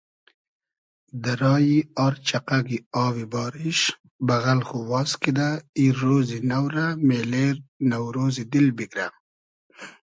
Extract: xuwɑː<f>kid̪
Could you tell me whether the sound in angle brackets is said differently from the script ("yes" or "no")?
yes